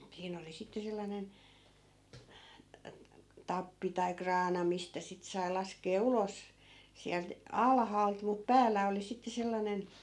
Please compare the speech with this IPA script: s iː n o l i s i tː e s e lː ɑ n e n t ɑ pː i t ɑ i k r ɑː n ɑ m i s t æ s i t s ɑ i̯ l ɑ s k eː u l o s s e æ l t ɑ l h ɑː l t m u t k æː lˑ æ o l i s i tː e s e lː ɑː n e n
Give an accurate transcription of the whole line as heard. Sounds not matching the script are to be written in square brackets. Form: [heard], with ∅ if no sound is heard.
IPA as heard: s iː n o l i s i tː e s e lː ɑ n e n t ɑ pː i t ɑ i k r ɑː n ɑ m i s t æ s i t s ɑ i̯ l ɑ s k eː u l o s s [i] æ l t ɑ l h ɑː l t m u t [p] æː lˑ æ o l i s i tː e s e lː [ɑ] n e n